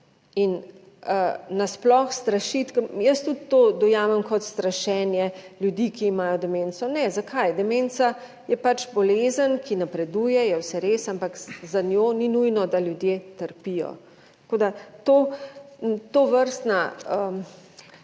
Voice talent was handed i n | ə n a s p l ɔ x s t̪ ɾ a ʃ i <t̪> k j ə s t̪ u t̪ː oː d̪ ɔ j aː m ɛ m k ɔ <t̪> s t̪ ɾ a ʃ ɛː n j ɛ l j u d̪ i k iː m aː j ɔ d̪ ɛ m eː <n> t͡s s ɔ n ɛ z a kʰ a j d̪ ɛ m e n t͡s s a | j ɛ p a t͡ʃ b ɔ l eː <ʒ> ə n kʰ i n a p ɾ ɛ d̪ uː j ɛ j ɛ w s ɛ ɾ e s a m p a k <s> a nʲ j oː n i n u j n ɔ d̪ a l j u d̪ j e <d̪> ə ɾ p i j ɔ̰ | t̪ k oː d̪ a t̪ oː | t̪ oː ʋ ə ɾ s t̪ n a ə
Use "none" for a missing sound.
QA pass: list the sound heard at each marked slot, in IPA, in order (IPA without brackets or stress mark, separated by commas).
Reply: t̪, t̪, n, z, z, t̪